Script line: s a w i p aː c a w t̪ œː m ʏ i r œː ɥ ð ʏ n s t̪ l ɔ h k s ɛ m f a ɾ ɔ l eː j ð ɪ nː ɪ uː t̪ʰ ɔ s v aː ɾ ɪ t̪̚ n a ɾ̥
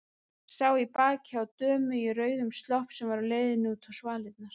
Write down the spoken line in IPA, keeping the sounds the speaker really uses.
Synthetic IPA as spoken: s a w i p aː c a w t̪ œː m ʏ i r œː ɥ ð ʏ m s t̪ l ɔ h p s ɛ m v a ɾ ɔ l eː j ð ɪ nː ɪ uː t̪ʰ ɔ s v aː l ɪ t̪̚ n a ɾ̥